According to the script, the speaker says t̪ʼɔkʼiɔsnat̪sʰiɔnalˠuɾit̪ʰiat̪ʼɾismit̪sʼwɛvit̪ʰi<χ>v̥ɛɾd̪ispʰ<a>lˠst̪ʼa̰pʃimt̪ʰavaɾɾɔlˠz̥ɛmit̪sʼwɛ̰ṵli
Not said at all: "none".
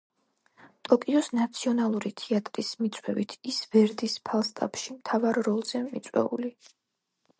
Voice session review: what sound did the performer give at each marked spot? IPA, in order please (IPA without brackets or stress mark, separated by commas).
s, a